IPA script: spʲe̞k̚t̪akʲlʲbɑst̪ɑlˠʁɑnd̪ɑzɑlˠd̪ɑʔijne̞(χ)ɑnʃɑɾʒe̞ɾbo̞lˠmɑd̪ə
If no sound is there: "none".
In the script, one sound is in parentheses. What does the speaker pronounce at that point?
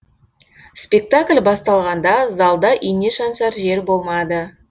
ʃ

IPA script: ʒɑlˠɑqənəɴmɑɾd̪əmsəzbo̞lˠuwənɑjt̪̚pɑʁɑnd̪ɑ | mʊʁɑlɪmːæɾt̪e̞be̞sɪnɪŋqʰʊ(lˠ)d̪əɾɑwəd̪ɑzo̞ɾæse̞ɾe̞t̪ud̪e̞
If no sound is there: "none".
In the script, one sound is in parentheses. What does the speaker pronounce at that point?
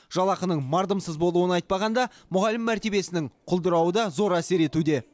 lˠ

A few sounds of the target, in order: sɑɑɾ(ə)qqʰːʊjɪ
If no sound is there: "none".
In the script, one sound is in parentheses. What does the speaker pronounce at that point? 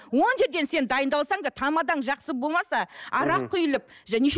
ɑ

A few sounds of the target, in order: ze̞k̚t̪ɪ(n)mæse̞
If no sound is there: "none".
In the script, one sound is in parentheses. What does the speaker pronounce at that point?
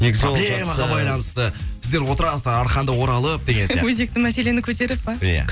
ŋ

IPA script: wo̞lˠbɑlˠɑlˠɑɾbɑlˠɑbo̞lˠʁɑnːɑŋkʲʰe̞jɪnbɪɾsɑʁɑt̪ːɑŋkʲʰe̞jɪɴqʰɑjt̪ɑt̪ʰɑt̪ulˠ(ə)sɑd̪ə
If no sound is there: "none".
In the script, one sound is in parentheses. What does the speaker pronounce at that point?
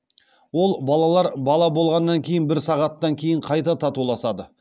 ɑ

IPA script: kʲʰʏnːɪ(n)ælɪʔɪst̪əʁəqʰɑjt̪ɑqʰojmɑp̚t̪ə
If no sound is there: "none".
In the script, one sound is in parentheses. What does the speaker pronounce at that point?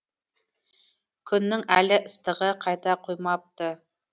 ŋ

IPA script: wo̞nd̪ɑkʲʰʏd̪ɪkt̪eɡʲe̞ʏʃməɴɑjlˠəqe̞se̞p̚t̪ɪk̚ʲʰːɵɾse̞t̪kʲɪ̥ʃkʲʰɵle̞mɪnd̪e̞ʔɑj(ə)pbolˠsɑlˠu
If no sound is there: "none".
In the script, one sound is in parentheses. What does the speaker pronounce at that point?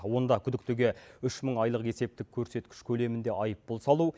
ə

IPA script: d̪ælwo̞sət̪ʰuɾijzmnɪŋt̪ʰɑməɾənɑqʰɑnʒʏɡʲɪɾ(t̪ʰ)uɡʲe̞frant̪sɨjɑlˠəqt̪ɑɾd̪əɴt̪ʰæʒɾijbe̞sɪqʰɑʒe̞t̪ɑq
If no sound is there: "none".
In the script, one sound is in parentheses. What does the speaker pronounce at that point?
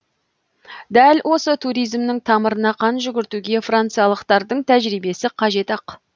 t̪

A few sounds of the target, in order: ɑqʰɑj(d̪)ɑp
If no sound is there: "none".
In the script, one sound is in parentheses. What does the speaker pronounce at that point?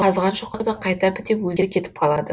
t̪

